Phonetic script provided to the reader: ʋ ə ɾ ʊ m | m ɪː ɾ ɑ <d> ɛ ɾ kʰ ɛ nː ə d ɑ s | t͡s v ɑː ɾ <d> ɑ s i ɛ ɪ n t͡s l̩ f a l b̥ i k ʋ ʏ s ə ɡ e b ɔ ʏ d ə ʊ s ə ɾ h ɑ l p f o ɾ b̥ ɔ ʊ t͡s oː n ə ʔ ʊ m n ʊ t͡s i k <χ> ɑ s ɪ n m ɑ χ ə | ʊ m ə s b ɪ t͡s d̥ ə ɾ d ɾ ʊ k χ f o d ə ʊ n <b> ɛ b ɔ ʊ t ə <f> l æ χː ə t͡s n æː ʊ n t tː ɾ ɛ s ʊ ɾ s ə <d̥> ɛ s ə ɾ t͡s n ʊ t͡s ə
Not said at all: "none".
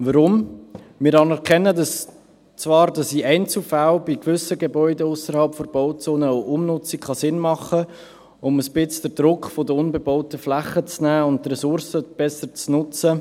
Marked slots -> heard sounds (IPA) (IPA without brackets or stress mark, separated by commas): n, d, χ, b, f, b̥